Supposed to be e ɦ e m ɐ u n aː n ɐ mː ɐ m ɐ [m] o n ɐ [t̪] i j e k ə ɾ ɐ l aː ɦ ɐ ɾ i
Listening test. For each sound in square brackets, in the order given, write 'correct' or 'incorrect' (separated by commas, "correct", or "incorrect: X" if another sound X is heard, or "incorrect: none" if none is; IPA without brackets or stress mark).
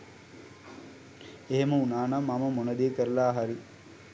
correct, incorrect: d̪